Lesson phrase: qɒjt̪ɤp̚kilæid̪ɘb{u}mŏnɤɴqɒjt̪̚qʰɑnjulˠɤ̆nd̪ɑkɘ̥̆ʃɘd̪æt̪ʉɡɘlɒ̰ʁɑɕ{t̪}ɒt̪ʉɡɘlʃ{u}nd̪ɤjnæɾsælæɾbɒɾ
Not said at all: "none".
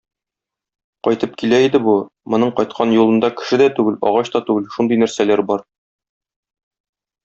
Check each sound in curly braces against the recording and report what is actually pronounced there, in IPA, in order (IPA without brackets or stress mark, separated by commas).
u, t̪, u